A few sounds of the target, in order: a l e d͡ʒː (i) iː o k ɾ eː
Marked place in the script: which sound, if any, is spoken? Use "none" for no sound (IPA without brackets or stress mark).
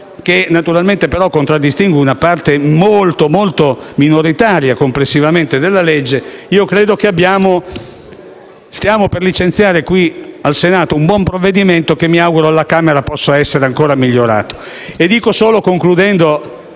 e